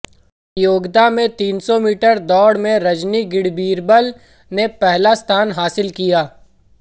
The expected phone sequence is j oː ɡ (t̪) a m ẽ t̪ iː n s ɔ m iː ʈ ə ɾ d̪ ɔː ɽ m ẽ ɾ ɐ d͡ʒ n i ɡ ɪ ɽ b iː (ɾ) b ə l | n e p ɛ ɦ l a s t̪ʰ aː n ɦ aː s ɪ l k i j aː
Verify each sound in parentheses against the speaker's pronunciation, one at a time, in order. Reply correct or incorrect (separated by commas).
incorrect, correct